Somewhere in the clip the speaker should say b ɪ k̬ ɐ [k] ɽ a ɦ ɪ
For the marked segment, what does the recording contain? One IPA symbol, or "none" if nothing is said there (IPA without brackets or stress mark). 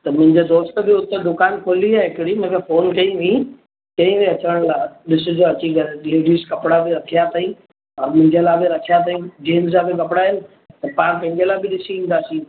p